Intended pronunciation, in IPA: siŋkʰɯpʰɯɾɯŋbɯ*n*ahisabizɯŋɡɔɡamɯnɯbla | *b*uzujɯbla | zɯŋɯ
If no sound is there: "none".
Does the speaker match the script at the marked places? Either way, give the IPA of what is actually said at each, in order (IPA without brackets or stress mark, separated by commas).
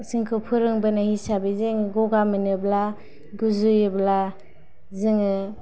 n, ɡ